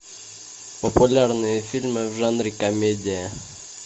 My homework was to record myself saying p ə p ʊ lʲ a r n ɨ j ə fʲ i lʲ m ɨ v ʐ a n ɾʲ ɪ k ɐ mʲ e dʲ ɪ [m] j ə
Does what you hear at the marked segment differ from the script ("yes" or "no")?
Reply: yes